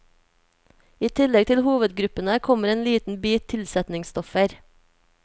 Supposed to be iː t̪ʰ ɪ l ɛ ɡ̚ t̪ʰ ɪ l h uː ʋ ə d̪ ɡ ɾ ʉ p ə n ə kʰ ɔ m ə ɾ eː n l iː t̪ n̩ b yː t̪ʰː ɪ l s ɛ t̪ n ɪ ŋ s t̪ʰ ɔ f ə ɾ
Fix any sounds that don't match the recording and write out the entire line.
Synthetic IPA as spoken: iː t̪ʰ ɪ l ɛ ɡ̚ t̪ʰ ɪ l h uː ʋ ə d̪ ɡ ɾ ʉ p ə n ə kʰ ɔ m ə ɾ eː n l iː t̪ n̩ b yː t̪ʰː ɪ l s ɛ t̪ n ɪ ŋ s t̪ ɔ f ə ɾ

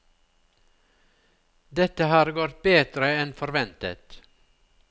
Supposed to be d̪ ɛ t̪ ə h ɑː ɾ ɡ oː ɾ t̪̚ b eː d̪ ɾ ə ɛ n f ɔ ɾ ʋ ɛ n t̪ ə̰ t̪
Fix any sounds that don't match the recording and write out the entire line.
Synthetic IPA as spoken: d̪ ɛ t̪ ə h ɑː ɾ ɡ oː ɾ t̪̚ b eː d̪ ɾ ə ɛ n f ɔ ɾ ʋ ɛ n t̪ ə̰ t̪

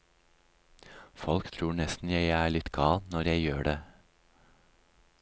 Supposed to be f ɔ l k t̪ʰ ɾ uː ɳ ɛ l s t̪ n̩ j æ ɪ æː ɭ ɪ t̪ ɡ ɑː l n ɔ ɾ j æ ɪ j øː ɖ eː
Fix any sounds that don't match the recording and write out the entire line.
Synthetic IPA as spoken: f ɔ l k t̪ʰ ɾ uː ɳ ɛ s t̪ n̩ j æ ɪ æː ɭ ɪ t̪ ɡ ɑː l n ɔ ɾ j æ ɪ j øː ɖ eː

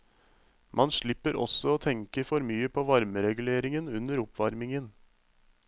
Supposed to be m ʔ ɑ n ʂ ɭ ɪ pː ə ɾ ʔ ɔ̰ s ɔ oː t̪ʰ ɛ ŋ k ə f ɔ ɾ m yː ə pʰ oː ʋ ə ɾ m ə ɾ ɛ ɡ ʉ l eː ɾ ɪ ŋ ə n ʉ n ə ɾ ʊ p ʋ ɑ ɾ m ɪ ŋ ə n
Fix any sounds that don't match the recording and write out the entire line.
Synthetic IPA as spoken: m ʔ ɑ n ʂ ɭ ɪ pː ə ɾ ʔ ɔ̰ s ɔ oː t̪ʰ ɛ ŋ k ə f ɔ ɾ m yː ə pʰ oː ʋ ɑ ɾ m ə ɾ ɛ ɡ ʉ l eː ɾ ɪ ŋ ə n ʉ n ə ɾ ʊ p ʋ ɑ ɾ m ɪ ŋ ə n

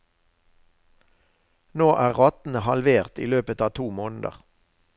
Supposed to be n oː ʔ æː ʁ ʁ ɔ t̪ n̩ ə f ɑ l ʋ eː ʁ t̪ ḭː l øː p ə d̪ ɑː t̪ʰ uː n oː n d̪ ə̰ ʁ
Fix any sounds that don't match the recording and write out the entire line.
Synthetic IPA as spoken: n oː ʔ æː ʁ ʁ ɔ t̪ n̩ ə h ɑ l ʋ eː ʁ t̪ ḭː l øː p ə t̪ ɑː t̪ʰ uː m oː n d̪ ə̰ ʁ

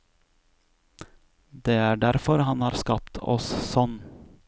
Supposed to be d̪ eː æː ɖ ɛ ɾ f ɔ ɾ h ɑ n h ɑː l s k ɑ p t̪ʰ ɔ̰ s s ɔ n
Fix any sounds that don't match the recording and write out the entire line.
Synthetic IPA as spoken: d̪ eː æː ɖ æ ɾ f ɔ ɾ h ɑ n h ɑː ɾ s k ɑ p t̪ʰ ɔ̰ s s ɔ n

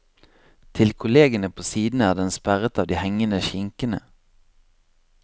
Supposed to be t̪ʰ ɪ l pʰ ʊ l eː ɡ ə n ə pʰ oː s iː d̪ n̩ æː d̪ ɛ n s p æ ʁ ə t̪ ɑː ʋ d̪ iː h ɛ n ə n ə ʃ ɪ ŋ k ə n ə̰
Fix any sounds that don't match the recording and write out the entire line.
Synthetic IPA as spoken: t̪ʰ ɪ l kʰ ʊ l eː ɡ ə n ə pʰ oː s iː d̪ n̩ æː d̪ ɛ n s p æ ʁ ə t̪ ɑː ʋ d̪ iː h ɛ ŋ ə n ə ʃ ɪ ŋ k ə n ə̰

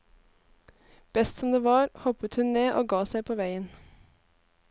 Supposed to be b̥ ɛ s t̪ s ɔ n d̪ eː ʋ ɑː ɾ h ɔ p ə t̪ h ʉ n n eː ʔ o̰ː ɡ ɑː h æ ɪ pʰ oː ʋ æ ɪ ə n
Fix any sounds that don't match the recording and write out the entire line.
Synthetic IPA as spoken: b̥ ɛ s t̪ s ɔ m d̪ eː ʋ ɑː ɾ h ɔ p ə t̪ h ʉ n n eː ʔ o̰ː ɡ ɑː s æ ɪ pʰ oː ʋ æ ɪ ə n

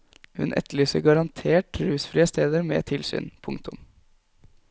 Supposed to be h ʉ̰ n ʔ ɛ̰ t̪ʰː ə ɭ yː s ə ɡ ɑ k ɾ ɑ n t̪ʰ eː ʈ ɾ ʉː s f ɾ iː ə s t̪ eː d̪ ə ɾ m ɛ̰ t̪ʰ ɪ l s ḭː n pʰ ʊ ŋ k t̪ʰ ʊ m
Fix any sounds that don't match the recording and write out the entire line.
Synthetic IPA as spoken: h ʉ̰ n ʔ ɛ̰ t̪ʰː ə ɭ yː s ə ɡ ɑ ɾ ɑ n t̪ʰ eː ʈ ɾ ʉː s f ɾ iː ə s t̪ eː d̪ ə ɾ m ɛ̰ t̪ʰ ɪ l s y̰ː n pʰ ʊ ŋ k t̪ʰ ʊ m

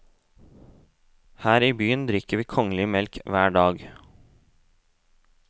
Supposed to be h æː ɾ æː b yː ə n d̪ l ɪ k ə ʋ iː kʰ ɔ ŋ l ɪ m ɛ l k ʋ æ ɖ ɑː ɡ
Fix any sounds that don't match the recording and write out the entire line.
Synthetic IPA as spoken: h æː ɾ iː b yː ə n d̪ ɾ ɪ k ə ʋ iː kʰ ɔ ŋ l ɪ m ɛ l k ʋ æː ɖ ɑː ɡ

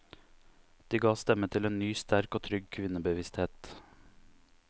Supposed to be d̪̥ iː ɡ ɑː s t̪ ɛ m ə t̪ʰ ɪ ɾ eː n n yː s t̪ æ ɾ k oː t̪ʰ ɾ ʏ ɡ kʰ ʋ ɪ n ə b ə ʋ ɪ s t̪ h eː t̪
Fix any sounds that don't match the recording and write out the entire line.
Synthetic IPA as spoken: d̪̥ iː ɡ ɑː s t̪ ɛ m ə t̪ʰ ɪ l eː n n yː s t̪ æ ɾ k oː t̪ʰ ɾ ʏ ɡ kʰ ʋ ɪ n ə b ə ʋ ɪ s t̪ h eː t̪

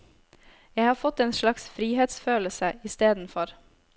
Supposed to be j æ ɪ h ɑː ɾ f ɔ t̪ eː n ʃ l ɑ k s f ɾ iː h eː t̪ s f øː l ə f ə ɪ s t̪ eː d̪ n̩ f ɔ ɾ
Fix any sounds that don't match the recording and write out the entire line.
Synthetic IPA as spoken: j æ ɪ h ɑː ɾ f ɔ t̪ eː n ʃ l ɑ k s f ɾ iː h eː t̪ s f øː l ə s ə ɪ s t̪ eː d̪ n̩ f ɔ ɾ

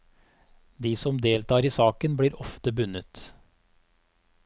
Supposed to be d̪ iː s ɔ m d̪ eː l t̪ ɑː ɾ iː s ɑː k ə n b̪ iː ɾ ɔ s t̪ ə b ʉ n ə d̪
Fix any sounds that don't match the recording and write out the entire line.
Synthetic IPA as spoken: d̪ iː s ɔ m d̪ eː l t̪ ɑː ɾ iː s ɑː k ə n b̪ iː ɾ ɔ f t̪ ə b ʉ n ə t̪

